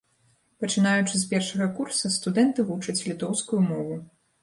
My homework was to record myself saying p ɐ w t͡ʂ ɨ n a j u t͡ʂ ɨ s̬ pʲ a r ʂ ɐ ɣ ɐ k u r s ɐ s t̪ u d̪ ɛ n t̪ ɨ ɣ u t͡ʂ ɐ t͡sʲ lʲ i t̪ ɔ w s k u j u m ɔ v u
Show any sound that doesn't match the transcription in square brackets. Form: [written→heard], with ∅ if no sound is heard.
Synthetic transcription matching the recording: p ɐ [w→∅] t͡ʂ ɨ n a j u t͡ʂ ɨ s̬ pʲ [a→ɛ] r ʂ ɐ ɣ ɐ k u r s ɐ s t̪ u d̪ ɛ n t̪ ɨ [ɣ→v] u t͡ʂ ɐ t͡sʲ lʲ i t̪ ɔ w s k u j u m ɔ v u